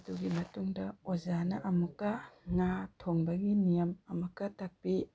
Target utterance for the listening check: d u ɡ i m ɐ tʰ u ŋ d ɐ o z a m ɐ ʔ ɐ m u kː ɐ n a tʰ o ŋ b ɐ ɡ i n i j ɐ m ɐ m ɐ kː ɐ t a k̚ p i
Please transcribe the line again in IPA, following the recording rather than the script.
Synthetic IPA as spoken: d u ɡ i m ɐ t u ŋ d ɐ o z a n ɐ ʔ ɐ m u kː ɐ ŋ a tʰ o ŋ b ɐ ɡ i n i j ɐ m ɐ m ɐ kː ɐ t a k̚ p i